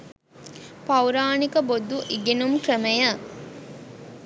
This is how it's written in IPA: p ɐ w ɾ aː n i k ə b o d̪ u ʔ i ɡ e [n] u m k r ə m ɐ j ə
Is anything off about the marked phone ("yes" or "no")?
no